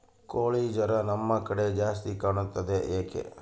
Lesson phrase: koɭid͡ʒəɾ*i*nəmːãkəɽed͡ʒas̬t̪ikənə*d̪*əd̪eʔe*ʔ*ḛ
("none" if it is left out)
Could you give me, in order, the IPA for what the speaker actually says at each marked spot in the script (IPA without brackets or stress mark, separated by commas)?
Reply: a, t̪, k